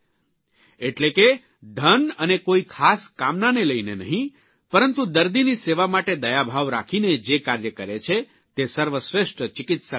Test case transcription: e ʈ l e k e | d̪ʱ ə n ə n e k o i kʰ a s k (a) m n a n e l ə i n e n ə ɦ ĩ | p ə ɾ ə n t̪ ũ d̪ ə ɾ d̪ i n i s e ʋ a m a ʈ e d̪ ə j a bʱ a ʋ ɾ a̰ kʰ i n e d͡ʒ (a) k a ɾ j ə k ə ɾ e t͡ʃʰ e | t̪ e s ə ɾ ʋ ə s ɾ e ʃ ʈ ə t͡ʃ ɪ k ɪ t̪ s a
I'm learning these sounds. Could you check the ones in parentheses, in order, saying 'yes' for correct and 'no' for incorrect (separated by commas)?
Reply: yes, no